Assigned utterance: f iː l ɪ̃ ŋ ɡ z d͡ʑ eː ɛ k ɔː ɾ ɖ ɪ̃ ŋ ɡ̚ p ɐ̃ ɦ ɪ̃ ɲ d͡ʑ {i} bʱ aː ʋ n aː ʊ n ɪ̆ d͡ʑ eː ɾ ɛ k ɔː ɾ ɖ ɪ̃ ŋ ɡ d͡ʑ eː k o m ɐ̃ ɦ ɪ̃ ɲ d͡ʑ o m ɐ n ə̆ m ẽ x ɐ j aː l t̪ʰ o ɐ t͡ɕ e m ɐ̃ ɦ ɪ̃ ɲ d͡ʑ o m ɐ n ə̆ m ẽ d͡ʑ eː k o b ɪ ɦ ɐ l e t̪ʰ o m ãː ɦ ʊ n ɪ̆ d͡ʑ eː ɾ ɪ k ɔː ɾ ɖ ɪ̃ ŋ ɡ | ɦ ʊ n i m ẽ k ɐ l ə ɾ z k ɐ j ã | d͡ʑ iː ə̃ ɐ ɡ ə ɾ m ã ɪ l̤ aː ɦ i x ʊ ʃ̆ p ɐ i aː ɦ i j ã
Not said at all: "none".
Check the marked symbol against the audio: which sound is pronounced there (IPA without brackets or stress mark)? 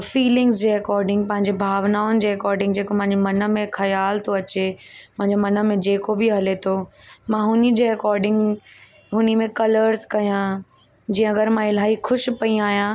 e